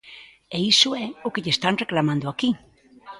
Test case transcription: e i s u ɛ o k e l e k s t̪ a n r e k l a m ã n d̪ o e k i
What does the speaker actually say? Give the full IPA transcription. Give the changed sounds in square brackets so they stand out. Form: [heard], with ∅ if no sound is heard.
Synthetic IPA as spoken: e i s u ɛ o k e [ʎ] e [∅] s t̪ a n r e k l a m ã n d̪ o [a] k i